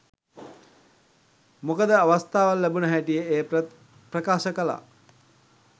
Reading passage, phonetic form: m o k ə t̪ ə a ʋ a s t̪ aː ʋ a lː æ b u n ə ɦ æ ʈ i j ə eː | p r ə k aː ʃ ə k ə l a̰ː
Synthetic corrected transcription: m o k ə d̪ ə a ʋ a s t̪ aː ʋ a lː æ b u n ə ɦ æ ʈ i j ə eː | p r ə k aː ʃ ə k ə l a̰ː